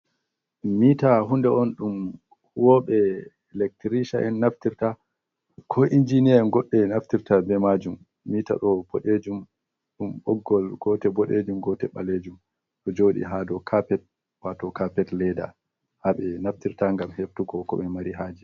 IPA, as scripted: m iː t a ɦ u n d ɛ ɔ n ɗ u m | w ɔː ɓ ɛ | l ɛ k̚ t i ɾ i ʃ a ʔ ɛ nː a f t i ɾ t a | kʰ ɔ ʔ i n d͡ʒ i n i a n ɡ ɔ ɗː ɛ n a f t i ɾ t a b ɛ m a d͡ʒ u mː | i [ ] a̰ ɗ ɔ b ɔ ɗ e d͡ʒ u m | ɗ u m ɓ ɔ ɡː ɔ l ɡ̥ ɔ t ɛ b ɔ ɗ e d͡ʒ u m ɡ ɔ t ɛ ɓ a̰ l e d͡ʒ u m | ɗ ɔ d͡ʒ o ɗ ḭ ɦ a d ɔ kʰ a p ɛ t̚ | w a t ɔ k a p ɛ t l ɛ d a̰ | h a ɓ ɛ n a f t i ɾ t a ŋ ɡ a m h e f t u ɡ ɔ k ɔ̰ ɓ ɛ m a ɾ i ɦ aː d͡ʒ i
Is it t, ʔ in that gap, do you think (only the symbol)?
t